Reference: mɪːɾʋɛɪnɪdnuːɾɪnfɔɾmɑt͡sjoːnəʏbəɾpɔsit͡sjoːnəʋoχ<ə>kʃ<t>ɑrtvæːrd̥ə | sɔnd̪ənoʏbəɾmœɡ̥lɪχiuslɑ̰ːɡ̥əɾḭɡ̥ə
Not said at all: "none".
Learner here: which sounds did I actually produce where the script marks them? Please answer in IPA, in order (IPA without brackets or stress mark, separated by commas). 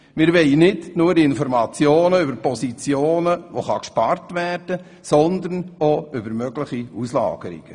ɑ, p